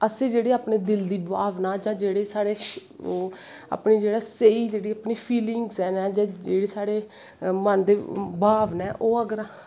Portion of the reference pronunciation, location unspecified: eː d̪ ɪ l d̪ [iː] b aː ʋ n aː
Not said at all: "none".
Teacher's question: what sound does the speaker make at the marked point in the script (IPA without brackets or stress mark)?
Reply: iː